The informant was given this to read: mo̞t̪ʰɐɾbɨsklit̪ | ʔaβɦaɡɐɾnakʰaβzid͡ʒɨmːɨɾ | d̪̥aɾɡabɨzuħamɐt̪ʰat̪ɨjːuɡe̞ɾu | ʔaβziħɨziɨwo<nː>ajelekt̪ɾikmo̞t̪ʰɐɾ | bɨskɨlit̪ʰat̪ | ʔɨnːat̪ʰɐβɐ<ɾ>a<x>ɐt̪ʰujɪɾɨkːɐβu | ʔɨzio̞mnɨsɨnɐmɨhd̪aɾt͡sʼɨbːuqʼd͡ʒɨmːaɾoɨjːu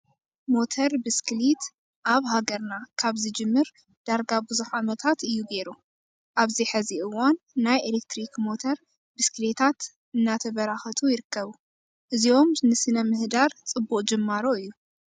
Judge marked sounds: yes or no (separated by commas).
yes, yes, yes